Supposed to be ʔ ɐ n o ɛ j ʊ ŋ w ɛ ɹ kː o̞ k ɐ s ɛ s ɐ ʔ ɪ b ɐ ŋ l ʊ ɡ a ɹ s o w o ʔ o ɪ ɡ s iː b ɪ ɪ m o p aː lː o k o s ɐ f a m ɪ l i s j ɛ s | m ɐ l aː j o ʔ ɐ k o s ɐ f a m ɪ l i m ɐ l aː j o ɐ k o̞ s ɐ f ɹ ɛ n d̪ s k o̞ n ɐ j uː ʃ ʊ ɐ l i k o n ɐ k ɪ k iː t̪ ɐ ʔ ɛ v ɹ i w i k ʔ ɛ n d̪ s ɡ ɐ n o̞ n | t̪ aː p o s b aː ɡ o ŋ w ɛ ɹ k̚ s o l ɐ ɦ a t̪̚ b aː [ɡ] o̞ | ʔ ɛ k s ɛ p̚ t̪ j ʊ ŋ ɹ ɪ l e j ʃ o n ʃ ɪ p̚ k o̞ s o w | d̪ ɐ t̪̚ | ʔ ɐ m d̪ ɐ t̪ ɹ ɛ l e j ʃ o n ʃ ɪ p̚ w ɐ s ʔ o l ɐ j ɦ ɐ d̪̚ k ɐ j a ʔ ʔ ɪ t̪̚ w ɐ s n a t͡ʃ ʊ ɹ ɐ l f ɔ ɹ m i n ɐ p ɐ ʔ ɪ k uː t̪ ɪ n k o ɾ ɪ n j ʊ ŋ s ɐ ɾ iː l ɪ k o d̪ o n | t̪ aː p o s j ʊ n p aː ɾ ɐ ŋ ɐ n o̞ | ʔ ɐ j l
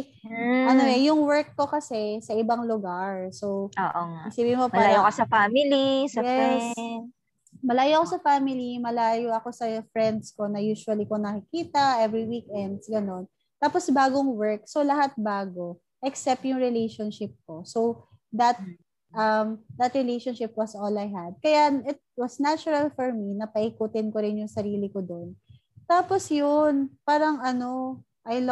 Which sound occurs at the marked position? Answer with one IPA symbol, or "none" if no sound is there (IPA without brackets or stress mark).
ɡ